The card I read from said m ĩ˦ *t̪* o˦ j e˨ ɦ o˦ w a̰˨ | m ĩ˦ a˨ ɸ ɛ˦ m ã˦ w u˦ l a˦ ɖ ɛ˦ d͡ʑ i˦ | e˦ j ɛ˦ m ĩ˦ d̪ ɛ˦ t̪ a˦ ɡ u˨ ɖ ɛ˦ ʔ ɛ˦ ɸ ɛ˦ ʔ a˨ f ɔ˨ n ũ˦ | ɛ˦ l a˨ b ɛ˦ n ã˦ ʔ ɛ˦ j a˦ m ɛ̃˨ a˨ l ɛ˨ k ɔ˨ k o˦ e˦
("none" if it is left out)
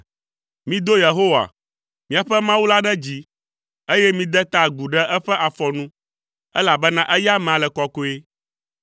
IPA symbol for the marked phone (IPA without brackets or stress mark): d̪